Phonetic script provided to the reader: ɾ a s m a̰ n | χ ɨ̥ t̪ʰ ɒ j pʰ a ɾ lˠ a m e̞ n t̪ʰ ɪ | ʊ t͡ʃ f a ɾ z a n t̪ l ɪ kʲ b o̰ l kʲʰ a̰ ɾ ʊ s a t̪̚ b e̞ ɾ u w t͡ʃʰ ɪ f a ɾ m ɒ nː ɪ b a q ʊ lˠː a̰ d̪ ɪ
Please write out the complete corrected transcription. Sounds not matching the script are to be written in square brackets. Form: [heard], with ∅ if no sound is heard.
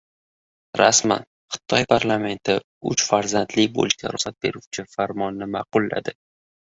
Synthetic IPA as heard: ɾ a s m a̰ n | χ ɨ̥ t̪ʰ ɒ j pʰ a ɾ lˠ a m e̞ n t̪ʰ ɪ | ʊ t͡ʃ f a ɾ z a n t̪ l ɪ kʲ b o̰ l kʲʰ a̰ ɾ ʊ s a t̪̚ b e̞ ɾ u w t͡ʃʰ ɪ f a ɾ m ɒ nː ɪ [m] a q ʊ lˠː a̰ d̪ ɪ

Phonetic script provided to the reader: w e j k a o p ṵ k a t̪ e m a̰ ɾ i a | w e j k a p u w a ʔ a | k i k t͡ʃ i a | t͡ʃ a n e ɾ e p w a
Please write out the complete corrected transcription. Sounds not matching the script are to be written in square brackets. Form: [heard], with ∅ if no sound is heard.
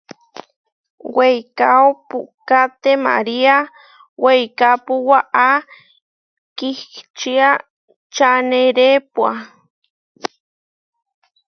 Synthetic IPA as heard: w e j k a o p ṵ k a t̪ e m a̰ ɾ i a | w e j k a p u w a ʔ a | k i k t͡ʃ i a | t͡ʃ a n e ɾ e p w a

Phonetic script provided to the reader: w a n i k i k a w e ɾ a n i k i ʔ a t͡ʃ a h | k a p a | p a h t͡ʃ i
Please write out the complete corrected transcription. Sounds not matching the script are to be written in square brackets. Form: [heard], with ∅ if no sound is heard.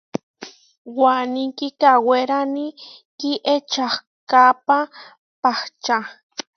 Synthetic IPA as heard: w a n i k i k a w e ɾ a n i k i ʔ [e] t͡ʃ a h | k a p a | p a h t͡ʃ [a]

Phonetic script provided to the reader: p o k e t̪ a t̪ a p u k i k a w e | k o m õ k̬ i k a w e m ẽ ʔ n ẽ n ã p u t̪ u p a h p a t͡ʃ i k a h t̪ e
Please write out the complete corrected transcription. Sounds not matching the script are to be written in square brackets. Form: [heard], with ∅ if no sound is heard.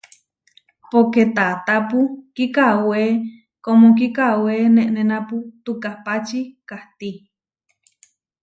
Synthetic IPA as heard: p o k e t̪ a t̪ a p u k i k a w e | k o m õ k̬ i k a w e [n] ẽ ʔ n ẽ n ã p u t̪ u [k] a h p a t͡ʃ i k a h t̪ [i]

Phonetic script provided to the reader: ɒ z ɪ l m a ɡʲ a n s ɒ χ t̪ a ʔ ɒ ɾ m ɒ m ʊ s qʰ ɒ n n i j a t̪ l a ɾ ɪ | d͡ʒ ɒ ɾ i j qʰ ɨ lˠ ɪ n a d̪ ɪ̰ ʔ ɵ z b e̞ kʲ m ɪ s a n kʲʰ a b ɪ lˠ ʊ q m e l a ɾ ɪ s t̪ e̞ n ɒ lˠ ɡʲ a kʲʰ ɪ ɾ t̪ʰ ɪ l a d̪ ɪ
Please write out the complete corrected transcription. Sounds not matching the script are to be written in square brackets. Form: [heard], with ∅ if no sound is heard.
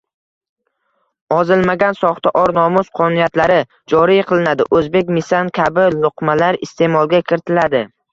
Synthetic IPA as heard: ɒ z ɪ l m a ɡʲ a n s ɒ χ t̪ a ʔ ɒ ɾ [n] ɒ m ʊ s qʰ ɒ n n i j a t̪ l a ɾ ɪ | d͡ʒ ɒ ɾ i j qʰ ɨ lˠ ɪ n a d̪ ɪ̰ ʔ ɵ z b e̞ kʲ m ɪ s a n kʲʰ a b ɪ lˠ ʊ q m [a] l a ɾ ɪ s t̪ e̞ [m] ɒ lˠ ɡʲ a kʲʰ ɪ ɾ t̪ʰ ɪ l a d̪ ɪ

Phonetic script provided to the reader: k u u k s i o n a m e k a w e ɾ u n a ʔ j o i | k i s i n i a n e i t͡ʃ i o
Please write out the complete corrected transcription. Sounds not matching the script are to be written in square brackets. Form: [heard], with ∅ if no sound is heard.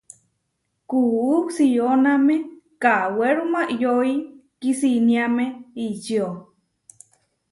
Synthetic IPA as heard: k u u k s i o n a m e k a w e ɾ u [m] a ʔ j o i | k i s i n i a [m] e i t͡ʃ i o

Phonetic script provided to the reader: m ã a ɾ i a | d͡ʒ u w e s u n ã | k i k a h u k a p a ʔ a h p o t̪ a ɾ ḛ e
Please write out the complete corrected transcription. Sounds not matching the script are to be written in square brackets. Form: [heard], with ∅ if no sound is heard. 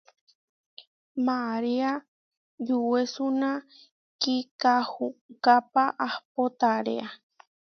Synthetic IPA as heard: m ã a ɾ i a | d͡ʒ u w e s u n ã | k i k a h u k a p a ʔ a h p o t̪ a ɾ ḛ [a]

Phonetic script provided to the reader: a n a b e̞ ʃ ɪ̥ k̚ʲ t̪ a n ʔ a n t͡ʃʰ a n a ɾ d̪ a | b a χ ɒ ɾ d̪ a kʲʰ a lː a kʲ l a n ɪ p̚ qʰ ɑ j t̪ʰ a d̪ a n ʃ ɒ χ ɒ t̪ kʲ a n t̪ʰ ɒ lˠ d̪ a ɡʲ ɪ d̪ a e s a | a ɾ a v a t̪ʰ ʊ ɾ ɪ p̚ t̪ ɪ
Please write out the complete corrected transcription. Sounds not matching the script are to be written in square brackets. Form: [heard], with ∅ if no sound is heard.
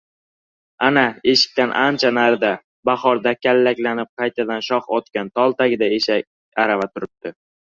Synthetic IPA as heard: a n a [∅] e̞ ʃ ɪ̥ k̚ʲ t̪ a n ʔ a n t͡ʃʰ a n a ɾ d̪ a | b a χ ɒ ɾ d̪ a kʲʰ a lː a kʲ l a n ɪ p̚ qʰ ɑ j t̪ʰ a d̪ a n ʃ ɒ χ ɒ t̪ kʲ a n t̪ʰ ɒ lˠ [t̪] a ɡʲ ɪ d̪ a e [ʃ] a | a ɾ a v a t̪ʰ ʊ ɾ ɪ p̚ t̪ ɪ

